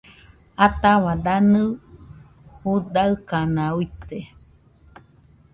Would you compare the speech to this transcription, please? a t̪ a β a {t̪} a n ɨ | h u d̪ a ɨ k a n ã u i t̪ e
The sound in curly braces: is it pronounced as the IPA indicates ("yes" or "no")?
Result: no